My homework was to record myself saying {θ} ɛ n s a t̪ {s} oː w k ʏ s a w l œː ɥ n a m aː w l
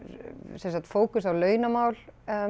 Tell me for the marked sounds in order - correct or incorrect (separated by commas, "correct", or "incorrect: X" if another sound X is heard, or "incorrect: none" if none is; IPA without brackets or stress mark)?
incorrect: s, incorrect: f